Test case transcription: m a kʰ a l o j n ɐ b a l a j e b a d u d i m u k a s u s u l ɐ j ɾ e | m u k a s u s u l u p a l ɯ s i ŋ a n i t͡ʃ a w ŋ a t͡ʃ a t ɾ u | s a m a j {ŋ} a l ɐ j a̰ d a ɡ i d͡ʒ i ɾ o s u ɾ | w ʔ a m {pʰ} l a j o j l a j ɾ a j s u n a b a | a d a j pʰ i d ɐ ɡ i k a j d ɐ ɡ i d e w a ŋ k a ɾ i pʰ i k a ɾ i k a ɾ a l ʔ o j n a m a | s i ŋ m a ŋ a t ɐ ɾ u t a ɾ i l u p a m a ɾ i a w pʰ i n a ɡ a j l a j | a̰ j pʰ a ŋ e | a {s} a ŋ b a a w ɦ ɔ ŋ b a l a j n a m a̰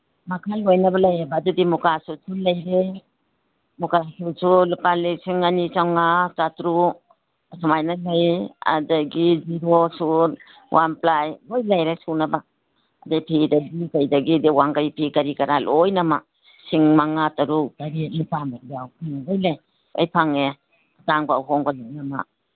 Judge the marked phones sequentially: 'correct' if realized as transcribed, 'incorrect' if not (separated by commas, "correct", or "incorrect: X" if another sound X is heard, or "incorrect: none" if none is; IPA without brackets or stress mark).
incorrect: n, incorrect: p, incorrect: t